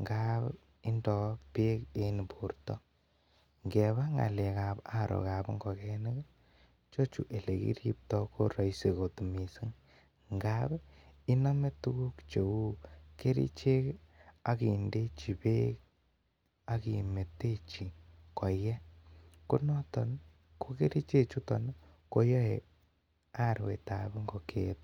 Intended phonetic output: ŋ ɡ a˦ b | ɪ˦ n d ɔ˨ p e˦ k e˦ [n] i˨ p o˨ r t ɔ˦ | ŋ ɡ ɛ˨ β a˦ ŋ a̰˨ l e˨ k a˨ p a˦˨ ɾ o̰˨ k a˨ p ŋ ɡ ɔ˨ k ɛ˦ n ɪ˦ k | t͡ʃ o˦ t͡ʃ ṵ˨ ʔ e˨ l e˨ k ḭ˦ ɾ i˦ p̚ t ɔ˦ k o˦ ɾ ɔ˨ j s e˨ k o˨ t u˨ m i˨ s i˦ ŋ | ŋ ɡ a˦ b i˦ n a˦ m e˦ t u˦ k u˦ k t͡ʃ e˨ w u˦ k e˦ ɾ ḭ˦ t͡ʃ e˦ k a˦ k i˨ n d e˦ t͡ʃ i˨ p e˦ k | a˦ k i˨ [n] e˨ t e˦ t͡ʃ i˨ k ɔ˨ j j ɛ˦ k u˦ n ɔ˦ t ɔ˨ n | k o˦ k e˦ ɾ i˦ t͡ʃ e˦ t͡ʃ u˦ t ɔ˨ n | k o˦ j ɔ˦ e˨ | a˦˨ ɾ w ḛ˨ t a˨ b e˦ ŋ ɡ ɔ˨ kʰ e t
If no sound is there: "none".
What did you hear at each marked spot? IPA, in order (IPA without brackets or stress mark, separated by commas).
n, m